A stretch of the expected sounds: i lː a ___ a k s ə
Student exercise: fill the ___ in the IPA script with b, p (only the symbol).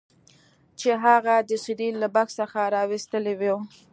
b